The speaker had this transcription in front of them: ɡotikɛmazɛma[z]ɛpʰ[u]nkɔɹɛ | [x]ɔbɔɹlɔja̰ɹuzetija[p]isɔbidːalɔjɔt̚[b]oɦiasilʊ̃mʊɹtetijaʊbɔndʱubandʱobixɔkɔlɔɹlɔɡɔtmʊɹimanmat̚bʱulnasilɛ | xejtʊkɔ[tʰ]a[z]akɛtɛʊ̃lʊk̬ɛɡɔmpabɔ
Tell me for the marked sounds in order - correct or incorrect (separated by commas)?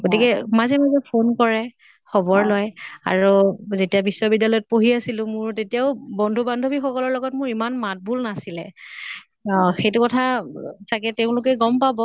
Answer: correct, incorrect, correct, incorrect, incorrect, correct, incorrect